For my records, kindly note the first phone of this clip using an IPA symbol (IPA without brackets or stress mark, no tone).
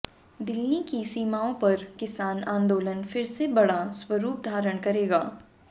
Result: d̪